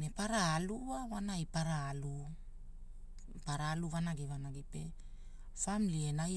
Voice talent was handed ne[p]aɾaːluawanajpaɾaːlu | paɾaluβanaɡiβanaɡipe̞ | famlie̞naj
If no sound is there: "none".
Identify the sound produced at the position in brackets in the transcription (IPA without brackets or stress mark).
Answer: p